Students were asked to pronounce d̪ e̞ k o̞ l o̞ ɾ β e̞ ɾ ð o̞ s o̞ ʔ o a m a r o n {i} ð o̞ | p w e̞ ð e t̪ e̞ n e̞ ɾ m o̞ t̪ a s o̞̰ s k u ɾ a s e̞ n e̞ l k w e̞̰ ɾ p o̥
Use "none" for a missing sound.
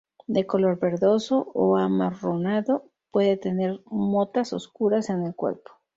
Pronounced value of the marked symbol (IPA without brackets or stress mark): a